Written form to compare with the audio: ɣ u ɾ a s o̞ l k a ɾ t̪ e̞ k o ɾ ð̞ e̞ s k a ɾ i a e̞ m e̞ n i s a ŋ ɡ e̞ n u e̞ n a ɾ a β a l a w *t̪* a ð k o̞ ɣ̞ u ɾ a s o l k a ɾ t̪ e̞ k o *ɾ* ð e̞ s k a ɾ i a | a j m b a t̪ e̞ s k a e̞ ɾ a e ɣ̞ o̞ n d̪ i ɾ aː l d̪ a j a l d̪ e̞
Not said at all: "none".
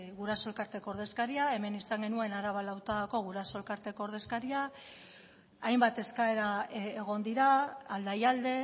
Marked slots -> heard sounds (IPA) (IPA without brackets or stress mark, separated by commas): t̪, ɾ